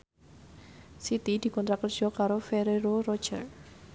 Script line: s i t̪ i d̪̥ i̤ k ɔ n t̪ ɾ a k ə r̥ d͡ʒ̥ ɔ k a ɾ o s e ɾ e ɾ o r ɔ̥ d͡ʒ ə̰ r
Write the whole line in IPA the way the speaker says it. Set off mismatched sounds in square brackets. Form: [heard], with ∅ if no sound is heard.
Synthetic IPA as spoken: s i t̪ i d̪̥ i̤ k ɔ n t̪ ɾ a k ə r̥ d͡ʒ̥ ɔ k a ɾ o [f] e ɾ e ɾ o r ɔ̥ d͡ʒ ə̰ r